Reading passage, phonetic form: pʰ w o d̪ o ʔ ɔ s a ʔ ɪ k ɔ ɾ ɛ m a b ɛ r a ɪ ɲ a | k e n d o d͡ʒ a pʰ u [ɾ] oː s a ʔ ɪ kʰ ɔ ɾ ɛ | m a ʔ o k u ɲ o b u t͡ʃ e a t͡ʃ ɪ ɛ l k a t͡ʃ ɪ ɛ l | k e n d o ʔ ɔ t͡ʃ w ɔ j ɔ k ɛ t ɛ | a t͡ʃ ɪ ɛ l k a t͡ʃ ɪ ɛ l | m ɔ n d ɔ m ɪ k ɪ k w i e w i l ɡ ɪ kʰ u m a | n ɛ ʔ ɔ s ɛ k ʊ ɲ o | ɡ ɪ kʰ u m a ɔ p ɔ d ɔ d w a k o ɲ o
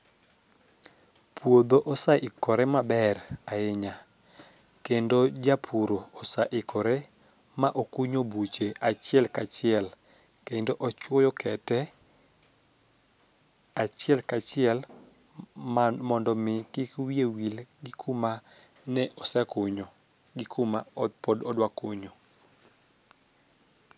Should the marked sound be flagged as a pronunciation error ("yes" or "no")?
no